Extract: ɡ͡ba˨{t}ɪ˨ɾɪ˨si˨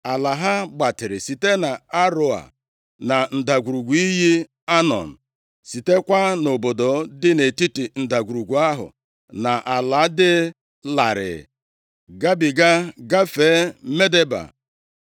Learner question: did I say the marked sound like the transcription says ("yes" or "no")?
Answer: yes